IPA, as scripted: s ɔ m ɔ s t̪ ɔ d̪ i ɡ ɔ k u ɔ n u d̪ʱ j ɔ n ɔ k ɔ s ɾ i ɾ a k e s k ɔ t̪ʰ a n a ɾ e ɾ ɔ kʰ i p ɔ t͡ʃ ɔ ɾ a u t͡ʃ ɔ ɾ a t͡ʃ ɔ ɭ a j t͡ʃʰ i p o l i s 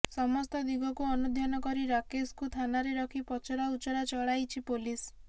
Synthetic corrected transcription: s ɔ m ɔ s t̪ ɔ d̪ i ɡ ɔ k u ɔ n u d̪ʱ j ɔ n ɔ k ɔ ɾ i ɾ a k e s k u t̪ʰ a n a ɾ e ɾ ɔ kʰ i p ɔ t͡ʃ ɔ ɾ a u t͡ʃ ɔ ɾ a t͡ʃ ɔ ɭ a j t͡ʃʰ i p o l i s